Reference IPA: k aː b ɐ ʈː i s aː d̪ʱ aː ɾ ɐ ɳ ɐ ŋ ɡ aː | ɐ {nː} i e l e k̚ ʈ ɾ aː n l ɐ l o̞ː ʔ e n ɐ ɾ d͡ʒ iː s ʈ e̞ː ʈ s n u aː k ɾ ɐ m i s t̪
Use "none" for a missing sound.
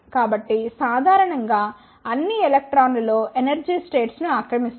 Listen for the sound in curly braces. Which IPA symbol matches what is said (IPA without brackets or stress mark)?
nː